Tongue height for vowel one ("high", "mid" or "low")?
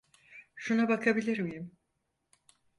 high